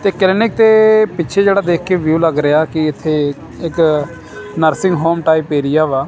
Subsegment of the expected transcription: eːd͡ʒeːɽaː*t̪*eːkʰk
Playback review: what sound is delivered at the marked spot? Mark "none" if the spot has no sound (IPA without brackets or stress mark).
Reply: d̪